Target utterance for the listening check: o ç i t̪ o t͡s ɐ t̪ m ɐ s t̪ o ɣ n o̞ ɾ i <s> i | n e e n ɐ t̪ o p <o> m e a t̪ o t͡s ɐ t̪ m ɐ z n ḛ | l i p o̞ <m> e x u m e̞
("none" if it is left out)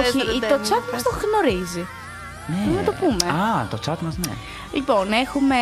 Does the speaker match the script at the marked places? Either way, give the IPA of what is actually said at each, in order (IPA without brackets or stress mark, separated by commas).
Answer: z, u, n